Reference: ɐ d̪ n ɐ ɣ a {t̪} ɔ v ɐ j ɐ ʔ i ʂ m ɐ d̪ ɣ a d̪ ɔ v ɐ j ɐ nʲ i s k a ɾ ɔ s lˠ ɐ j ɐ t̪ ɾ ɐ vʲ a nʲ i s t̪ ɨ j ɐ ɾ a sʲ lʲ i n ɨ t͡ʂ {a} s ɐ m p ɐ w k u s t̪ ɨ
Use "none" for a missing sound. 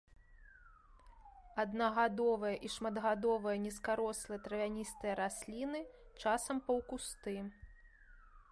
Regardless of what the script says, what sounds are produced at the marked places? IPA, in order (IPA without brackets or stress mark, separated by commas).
d̪, a